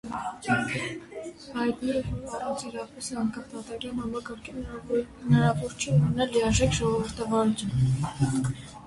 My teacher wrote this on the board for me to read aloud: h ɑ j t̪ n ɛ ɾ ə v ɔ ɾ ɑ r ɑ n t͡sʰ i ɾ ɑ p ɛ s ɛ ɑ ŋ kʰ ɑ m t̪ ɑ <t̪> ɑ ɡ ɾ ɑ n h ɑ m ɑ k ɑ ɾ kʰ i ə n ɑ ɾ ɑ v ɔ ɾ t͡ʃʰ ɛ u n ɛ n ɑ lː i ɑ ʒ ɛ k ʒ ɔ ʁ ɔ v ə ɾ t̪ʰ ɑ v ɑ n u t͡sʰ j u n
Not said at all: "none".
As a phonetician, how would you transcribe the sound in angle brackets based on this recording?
t̪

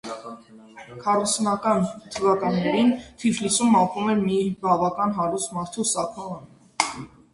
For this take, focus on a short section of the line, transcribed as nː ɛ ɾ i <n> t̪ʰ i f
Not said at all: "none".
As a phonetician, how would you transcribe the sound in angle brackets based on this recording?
n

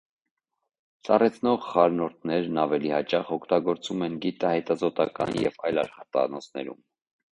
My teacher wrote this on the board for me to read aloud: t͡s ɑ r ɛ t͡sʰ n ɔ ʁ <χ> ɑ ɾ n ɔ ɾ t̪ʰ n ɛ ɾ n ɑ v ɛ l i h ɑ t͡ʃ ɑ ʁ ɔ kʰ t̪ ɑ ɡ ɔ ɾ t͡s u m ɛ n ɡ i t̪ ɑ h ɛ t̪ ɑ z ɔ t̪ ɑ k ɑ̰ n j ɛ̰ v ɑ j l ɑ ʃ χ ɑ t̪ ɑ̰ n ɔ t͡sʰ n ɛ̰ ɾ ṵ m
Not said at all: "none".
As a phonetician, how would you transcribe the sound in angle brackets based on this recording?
χ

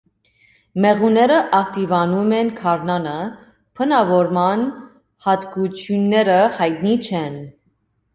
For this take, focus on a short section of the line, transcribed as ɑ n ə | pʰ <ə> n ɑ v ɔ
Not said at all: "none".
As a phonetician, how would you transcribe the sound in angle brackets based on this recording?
ə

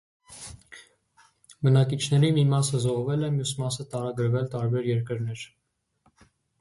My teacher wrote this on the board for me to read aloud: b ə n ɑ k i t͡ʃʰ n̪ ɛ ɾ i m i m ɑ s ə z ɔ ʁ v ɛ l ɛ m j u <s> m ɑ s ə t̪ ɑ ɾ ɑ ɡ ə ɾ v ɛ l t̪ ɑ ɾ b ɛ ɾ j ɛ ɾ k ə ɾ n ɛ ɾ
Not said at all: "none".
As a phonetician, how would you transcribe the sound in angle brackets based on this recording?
s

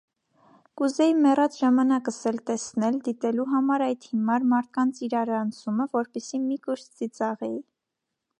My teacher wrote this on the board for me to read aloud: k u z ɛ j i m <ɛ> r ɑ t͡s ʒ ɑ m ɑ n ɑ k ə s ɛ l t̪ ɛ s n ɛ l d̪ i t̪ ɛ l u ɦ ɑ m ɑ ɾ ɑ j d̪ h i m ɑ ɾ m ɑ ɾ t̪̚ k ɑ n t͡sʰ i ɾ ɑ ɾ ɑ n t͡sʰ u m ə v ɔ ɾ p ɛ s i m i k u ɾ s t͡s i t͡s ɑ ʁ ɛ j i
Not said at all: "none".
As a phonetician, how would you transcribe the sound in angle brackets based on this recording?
ɛ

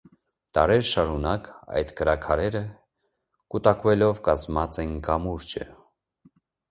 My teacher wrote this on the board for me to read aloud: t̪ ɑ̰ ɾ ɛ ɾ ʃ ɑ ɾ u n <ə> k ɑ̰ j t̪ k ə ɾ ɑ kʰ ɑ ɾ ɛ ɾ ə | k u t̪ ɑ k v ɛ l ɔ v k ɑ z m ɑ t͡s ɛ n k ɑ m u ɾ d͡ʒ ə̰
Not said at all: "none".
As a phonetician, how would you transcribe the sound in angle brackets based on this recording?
ɑ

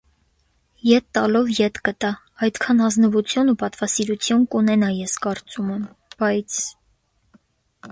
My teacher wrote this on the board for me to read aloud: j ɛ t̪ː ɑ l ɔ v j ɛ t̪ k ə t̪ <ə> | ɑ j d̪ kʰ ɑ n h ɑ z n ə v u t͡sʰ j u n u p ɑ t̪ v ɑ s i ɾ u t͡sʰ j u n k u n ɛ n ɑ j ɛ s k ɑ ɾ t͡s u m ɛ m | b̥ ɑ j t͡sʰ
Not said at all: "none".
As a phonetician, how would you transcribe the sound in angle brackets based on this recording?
ɑ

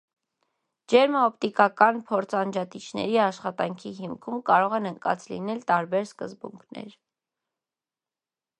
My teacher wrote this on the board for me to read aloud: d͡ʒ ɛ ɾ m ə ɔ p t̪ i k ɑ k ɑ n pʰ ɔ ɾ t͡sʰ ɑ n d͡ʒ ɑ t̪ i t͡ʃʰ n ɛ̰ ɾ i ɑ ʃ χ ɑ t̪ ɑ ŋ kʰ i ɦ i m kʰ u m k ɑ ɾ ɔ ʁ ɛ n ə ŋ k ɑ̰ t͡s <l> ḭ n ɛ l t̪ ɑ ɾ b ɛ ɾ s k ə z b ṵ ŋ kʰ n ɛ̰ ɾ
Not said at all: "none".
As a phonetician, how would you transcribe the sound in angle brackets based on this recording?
l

